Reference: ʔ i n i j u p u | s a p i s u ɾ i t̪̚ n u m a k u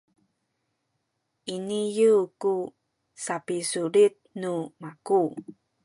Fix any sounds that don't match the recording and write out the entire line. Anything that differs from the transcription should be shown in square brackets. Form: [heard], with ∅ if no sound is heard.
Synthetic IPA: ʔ i n i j u [k] u | s a p i s u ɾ i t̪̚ n u m a k u